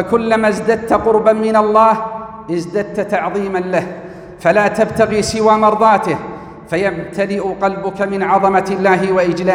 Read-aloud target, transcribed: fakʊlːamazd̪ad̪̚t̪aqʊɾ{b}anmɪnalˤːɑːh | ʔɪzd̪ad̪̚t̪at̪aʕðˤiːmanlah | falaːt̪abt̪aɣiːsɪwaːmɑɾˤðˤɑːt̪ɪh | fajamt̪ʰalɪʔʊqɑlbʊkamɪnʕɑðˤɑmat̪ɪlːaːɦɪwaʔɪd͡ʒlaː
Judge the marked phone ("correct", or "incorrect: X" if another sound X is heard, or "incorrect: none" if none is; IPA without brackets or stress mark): correct